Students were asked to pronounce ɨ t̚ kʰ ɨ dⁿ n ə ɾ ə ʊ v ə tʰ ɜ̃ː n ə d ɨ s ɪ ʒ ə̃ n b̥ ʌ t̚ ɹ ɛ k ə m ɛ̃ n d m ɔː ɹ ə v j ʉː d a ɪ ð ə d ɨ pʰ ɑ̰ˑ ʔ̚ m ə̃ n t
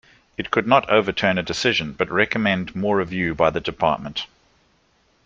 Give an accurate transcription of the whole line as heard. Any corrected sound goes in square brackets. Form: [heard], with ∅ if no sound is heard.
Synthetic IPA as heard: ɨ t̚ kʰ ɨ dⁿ n ə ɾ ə ʊ v ə tʰ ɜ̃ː n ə d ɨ s ɪ ʒ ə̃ n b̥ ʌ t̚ ɹ ɛ k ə m ɛ̃ n d m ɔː ɹ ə v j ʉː [b] a ɪ ð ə d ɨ pʰ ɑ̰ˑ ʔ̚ m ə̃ n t